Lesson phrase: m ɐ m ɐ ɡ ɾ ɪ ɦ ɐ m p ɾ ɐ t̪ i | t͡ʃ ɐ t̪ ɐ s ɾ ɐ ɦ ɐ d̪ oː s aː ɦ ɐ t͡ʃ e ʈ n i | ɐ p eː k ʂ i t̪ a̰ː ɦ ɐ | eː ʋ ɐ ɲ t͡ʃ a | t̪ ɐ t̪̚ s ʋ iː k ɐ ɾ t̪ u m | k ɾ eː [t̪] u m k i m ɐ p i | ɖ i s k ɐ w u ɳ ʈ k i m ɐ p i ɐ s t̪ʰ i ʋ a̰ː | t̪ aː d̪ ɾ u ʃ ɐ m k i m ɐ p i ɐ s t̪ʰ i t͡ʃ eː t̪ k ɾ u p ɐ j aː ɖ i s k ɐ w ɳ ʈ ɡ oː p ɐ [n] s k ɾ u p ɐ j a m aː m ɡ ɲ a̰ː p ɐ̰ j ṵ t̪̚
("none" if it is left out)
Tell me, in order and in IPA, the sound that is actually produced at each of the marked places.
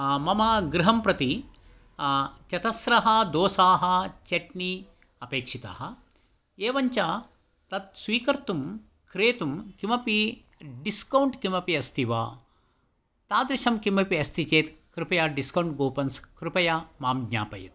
t̪, n

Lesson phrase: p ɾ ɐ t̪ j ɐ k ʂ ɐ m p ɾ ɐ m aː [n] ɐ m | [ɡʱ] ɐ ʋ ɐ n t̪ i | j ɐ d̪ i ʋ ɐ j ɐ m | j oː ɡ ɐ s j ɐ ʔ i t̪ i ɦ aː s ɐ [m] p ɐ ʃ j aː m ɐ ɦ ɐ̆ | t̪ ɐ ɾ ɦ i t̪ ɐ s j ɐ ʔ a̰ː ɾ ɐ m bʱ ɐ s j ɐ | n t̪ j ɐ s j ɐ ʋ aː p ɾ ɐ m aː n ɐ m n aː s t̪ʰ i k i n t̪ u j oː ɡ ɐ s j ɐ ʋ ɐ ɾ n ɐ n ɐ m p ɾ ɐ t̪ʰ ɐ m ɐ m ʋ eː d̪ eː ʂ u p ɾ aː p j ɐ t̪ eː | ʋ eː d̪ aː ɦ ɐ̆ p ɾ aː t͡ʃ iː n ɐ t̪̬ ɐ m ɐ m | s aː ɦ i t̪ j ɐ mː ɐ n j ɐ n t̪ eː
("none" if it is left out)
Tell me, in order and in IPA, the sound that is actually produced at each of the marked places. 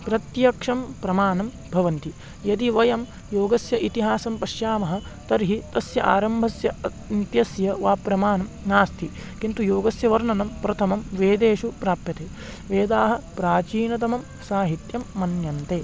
n, bʱ, m

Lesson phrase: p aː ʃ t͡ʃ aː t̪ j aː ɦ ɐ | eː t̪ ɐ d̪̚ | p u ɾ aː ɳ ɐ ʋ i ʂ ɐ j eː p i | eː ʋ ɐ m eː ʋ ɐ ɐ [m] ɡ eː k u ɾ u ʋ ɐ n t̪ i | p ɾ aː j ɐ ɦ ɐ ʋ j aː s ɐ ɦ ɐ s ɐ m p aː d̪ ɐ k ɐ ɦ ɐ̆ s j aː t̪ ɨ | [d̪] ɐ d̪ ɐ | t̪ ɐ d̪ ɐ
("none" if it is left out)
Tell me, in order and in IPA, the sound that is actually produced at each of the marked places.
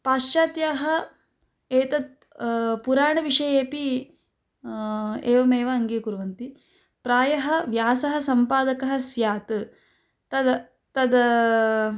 ŋ, t̪

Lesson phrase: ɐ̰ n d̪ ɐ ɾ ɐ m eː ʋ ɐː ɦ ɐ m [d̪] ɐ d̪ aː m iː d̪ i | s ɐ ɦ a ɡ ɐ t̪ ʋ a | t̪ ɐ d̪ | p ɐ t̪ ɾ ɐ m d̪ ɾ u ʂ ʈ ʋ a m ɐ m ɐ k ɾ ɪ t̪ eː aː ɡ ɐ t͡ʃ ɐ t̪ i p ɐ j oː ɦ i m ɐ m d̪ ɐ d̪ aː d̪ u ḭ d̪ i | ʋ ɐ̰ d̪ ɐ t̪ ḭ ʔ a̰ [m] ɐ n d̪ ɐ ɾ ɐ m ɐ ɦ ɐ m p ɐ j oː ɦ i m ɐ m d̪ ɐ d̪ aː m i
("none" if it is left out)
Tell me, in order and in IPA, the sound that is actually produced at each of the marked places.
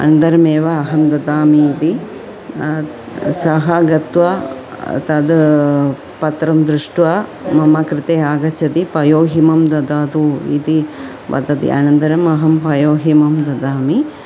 d̪, n

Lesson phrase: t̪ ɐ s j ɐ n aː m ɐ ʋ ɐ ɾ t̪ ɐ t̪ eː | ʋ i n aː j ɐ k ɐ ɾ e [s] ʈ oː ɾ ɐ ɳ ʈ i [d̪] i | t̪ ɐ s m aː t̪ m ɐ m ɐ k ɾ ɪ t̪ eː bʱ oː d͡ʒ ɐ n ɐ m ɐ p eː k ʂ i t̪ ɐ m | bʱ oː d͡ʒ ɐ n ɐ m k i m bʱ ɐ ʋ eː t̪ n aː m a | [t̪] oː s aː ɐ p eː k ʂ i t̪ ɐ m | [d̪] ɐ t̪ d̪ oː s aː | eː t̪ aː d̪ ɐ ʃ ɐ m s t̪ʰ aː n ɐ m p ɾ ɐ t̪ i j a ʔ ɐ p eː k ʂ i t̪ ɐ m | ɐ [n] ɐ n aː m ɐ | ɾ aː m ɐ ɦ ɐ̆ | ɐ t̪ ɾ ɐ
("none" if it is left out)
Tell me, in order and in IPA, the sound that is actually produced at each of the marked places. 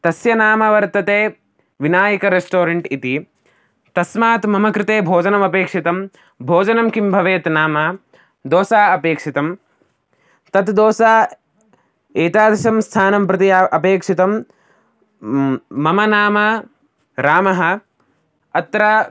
s, t̪, d̪, t̪, m

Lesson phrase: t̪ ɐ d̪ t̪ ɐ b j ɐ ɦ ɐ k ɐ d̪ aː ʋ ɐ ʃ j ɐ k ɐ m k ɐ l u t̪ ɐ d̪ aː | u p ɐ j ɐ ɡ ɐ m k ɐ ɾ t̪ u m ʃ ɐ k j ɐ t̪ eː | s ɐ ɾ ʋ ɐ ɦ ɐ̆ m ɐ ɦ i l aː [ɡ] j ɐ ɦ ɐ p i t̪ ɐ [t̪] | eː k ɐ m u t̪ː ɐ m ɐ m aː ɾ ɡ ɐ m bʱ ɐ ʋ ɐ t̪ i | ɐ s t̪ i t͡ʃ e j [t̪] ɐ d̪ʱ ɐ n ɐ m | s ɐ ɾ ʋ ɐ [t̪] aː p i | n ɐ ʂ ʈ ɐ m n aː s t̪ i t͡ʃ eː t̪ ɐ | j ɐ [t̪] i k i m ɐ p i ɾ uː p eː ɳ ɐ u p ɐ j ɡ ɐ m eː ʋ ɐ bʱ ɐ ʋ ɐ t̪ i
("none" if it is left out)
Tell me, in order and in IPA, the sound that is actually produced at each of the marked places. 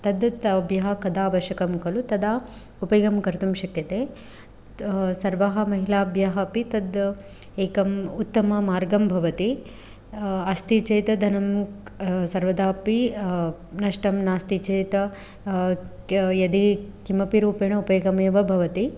b, d̪, t̪, d̪, d̪

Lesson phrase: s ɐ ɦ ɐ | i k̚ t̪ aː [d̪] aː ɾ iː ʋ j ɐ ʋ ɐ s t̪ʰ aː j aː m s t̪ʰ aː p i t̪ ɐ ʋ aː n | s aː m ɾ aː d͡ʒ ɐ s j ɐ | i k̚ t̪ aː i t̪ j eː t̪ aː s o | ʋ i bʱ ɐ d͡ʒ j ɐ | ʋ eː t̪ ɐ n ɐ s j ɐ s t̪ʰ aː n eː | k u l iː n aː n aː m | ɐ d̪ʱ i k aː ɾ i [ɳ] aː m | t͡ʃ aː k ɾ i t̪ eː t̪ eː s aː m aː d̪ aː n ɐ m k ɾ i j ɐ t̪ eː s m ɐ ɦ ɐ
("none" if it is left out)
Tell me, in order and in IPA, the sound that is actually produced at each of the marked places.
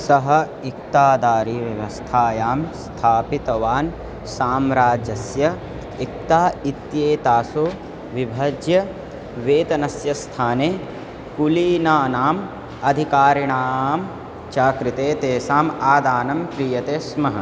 d̪, ɳ

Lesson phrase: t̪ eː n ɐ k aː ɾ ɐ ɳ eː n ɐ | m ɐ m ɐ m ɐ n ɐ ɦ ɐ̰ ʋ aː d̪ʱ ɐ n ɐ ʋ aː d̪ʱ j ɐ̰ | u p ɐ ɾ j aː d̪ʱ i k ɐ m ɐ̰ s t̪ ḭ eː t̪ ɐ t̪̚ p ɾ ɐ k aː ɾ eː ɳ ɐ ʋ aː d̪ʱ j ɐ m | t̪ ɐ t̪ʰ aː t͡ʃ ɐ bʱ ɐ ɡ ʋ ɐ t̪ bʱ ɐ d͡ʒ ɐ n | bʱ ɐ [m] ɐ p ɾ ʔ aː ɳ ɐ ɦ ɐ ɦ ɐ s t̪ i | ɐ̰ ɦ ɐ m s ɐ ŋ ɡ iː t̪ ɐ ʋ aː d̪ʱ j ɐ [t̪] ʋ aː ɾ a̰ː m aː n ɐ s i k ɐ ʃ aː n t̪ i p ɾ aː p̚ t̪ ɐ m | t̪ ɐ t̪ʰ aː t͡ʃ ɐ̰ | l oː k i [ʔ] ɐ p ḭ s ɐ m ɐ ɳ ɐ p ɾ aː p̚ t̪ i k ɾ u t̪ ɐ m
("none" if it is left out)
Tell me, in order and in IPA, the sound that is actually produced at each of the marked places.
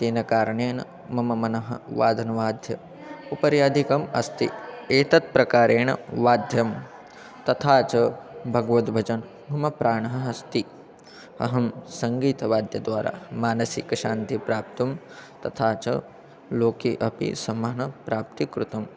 m, d̪, ʔ

